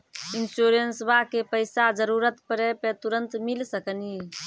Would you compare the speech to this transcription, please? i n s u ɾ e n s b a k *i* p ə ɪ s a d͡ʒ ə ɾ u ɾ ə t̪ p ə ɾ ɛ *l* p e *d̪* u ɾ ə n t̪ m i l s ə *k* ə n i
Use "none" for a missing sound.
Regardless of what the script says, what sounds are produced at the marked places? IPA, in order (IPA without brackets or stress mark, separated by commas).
e, none, t̪, k